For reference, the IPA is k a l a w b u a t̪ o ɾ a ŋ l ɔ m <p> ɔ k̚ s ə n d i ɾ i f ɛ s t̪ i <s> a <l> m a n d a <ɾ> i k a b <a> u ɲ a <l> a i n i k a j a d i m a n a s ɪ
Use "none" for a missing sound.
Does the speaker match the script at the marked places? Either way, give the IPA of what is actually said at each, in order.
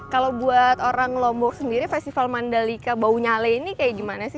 b, f, l, l, a, l

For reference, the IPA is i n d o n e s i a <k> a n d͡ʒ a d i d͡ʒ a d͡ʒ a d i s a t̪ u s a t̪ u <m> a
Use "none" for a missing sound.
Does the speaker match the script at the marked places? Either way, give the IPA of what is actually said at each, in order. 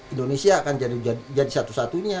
k, ɲ

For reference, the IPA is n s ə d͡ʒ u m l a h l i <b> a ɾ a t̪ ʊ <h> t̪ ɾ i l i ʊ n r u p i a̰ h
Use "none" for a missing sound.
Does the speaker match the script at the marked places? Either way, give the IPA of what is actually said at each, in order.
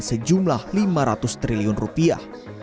m, s

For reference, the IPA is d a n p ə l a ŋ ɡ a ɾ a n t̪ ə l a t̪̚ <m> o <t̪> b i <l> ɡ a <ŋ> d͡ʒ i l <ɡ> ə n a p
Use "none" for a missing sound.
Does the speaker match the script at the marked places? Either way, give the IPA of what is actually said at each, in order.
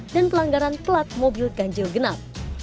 m, none, l, ɲ, ɡ

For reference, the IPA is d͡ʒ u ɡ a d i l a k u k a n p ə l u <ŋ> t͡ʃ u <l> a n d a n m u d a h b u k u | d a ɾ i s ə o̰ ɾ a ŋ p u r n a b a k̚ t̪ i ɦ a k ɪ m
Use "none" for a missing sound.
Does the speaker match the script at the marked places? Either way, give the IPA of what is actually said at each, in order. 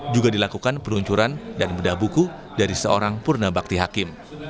ɲ, ɾ

